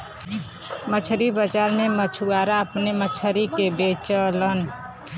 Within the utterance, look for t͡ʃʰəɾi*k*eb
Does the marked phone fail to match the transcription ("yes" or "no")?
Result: no